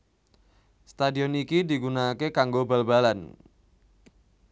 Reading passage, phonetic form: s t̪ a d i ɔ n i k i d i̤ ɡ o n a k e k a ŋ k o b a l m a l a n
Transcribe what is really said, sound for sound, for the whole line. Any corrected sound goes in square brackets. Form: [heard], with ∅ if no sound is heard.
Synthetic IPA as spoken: s t̪ a d i ɔ n i k i d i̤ ɡ [u] n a k e k a ŋ [ɡ] o b a l [b] a l a n